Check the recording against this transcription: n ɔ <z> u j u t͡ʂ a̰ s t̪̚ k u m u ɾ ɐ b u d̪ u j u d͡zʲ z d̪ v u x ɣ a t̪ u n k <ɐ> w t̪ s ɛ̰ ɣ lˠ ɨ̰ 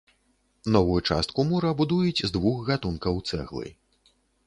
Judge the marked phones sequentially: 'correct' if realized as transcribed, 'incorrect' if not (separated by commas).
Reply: incorrect, correct